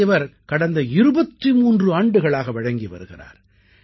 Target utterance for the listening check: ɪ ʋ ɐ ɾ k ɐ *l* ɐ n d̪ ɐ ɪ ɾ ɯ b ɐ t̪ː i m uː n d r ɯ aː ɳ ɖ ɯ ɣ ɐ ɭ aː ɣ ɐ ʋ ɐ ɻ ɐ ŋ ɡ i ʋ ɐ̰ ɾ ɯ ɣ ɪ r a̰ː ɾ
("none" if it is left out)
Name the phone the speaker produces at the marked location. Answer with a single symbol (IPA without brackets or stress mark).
ɽ